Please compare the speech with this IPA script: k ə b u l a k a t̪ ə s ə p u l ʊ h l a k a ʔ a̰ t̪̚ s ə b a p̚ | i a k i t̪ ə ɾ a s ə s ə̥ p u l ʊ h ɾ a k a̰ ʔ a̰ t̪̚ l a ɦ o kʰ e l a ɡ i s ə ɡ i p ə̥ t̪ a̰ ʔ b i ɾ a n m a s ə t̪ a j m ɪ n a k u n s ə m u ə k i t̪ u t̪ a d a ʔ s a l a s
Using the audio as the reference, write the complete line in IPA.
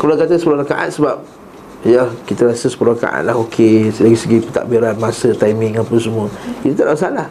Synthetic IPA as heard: k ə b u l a k a t̪ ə s ə p u l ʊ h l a k a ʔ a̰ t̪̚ s ə b a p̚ | j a k i t̪ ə ɾ a s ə s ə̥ p u l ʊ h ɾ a k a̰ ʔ a̰ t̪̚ l a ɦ o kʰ e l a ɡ i s ə ɡ i p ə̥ t̪ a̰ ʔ b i ɾ a n m a s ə t̪ a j m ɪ ŋ a p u n s ə m u ə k i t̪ u t̪ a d a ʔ s a l a h